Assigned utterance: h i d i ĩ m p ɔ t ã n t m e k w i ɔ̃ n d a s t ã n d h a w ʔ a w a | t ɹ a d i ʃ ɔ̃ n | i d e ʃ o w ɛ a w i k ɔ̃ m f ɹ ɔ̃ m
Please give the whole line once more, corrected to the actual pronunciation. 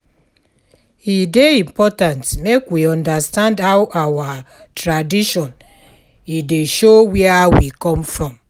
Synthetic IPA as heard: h i d e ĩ m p ɔ t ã n t m e k w i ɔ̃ n d a s t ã n d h a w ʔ a w a | t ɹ a d i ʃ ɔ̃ n | i d e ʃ o w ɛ a w i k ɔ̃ m f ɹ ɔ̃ m

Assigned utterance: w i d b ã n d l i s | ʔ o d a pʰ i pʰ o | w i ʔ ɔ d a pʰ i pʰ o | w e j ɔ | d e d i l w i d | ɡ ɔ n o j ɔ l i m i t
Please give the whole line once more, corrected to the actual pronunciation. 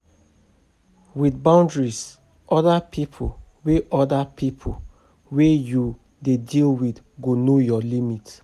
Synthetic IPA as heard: w i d b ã n d ɹ i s | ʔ ɔ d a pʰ i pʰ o | w e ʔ ɔ d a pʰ i pʰ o | w e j u | d e d i l w i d | ɡ o n o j ɔ l i m i t

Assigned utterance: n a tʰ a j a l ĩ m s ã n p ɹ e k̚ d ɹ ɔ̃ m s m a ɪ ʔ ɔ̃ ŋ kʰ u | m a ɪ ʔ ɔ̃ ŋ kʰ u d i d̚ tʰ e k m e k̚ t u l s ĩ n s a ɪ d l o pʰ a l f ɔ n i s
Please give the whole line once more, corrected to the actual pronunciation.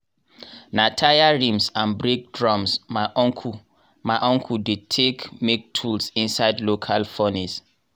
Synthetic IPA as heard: n a tʰ a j a ɹ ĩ m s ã n b ɹ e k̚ d ɹ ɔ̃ m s m a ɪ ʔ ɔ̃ ŋ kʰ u | m a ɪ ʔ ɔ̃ ŋ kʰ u d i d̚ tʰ e k m e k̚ tʰ u l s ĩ n s a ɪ d l o kʰ a l f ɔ n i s

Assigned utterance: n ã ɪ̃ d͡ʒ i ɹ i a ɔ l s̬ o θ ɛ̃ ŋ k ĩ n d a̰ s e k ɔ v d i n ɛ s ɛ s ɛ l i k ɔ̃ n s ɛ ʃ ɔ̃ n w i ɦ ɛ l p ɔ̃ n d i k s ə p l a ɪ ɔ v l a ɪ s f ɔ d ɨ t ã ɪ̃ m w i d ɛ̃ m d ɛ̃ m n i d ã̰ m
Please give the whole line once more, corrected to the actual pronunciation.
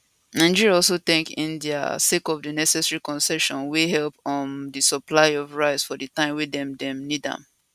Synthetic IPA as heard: n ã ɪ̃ d͡ʒ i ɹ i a ɔ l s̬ o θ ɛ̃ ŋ k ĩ n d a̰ s e k ɔ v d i n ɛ s ɛ s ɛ ɹ i k ɔ̃ n s ɛ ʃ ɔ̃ n w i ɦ ɛ l p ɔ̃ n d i s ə p l a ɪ ɔ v ɹ a ɪ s f ɔ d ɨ t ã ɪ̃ m w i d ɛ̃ m d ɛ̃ m n i d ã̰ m

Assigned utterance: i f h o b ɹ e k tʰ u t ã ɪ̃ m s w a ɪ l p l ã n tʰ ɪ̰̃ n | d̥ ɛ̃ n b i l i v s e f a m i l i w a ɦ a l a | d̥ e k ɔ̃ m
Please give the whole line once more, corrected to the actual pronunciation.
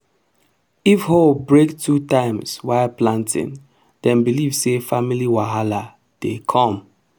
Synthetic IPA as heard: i f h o b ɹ e k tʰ u t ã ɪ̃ m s w a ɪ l p l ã n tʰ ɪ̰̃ n | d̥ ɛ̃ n b i l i v s e f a m i l i w a ɦ a l a | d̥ e kʰ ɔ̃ m

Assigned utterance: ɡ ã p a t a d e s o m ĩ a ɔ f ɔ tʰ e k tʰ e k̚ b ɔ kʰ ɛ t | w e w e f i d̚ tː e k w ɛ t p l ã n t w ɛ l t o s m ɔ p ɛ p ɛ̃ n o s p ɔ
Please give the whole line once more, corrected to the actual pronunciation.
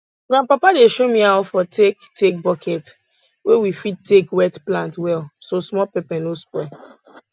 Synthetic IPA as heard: ɡ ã p a p a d e ʃ o m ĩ a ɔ f ɔ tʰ e k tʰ e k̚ b ɔ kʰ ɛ t | w e w i f i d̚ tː e k w ɛ t p l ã n t w ɛ l s o s m ɔ p ɛ p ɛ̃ n o s p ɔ

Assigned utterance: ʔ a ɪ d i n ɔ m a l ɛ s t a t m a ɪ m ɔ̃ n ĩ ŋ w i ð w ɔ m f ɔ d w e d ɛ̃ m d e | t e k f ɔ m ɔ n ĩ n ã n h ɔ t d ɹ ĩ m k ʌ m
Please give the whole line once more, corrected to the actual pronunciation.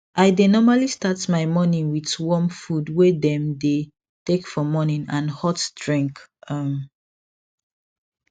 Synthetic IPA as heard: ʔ a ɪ d e n ɔ m a l i s t a t m a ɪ m ɔ n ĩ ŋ w i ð w ɔ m f u d w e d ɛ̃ m d e | t e k f ɔ m ɔ n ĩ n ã n h ɔ t d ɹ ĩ ŋ k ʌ m

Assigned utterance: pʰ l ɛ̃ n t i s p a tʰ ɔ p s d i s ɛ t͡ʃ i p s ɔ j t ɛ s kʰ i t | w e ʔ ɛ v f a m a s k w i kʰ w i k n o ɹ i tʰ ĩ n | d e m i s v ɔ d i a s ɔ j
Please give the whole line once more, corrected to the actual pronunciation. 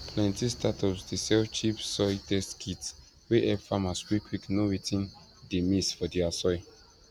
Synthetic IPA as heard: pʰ l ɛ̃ n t i s t a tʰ ɔ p s d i s ɛ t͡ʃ i p s ɔ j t ɛ s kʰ i t | w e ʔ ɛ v f a m a s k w i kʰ w i k n o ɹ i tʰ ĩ n | d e m i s f ɔ d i a s ɔ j

